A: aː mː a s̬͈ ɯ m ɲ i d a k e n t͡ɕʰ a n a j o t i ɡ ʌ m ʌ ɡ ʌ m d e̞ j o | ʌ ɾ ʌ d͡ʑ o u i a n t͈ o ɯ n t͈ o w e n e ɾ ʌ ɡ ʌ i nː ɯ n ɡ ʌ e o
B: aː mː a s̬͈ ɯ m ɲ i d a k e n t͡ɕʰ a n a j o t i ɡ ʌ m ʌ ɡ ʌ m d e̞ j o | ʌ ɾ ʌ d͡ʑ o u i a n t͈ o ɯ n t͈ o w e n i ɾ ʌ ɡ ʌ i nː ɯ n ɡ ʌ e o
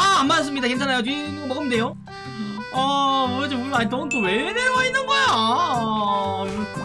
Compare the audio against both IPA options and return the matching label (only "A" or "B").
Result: A